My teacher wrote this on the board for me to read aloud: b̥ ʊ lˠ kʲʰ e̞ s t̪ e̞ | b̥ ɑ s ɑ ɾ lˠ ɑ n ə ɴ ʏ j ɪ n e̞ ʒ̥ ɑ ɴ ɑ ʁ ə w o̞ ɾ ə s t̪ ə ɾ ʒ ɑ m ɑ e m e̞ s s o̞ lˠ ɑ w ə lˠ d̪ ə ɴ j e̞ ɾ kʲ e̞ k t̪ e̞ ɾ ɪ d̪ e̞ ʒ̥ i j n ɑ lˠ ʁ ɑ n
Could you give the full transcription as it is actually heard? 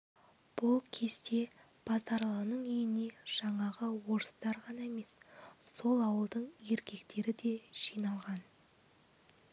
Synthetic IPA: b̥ ʊ lˠ kʲʰ e̞ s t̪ e̞ | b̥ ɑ z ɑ ɾ lˠ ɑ n ə ɴ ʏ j ɪ n e̞ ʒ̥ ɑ ɴ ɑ ʁ ə w o̞ ɾ ə s t̪ ɑ ɾ ʁ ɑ n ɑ e m e̞ s s o̞ lˠ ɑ w ə lˠ d̪ ə ɴ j e̞ ɾ kʲ e̞ k t̪ e̞ ɾ ɪ d̪ e̞ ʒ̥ i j n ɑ lˠ ʁ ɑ n